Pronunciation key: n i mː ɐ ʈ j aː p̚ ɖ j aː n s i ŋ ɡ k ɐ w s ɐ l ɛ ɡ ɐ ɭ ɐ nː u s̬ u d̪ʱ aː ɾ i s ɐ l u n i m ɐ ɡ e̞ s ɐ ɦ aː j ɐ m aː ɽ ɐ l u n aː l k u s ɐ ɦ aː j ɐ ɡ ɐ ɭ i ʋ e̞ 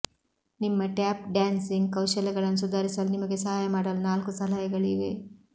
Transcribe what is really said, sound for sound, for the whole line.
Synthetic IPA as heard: n i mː ɐ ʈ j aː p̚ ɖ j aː n s i ŋ ɡ k ɐ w ʃ ɐ l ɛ ɡ ɐ ɭ ɐ nː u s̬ u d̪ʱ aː ɾ i s ɐ l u n i m ɐ ɡ e̞ s ɐ ɦ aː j ɐ m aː ɽ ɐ l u n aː l k u s ɐ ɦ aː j ɐ ɡ ɐ ɭ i ʋ e̞